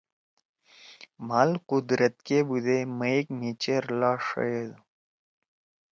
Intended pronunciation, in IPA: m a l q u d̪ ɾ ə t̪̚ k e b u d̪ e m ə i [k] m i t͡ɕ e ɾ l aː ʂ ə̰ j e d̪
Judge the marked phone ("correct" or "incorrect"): correct